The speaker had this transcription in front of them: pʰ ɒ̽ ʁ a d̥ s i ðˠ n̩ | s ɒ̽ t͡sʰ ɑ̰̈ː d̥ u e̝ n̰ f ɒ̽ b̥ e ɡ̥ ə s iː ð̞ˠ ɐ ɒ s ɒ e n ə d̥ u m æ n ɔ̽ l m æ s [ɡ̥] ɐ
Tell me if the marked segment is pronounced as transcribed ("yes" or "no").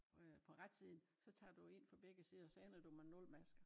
yes